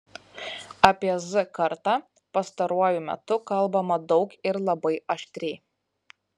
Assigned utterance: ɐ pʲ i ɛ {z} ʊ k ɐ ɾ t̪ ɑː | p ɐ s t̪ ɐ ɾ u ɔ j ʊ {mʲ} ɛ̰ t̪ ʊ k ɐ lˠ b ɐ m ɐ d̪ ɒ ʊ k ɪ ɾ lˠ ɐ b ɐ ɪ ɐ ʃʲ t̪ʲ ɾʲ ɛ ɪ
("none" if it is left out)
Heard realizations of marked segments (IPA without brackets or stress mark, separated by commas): z, mʲ